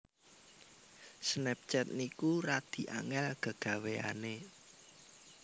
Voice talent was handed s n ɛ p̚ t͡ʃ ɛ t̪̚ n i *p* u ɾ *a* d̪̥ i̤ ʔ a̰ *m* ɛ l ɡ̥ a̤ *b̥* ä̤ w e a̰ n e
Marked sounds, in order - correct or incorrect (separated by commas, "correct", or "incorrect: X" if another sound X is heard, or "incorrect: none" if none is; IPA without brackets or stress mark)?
incorrect: k, correct, incorrect: ŋ, incorrect: ɡ̥